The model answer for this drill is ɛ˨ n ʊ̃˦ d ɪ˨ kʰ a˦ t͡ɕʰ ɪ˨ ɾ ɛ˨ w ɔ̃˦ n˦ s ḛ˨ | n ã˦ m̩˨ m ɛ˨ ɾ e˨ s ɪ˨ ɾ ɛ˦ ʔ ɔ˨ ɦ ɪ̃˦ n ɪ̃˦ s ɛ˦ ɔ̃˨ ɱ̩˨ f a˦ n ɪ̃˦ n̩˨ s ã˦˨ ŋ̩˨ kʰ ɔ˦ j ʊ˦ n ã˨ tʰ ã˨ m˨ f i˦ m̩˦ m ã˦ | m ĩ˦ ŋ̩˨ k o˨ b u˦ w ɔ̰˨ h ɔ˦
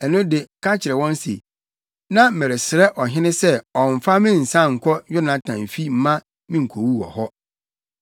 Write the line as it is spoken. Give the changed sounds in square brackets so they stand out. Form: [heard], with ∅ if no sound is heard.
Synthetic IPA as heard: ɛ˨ n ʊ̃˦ d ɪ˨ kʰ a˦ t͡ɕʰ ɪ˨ ɾ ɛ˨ w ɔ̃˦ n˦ s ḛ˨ | n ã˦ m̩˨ m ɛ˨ ɾ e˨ s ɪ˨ ɾ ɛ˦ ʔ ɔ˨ ɦ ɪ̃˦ n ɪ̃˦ s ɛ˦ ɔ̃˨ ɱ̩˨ f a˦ [m] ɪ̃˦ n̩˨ s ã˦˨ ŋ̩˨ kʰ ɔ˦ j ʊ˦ n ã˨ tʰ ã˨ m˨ f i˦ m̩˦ m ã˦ | m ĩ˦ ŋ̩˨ [kʰ] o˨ [w] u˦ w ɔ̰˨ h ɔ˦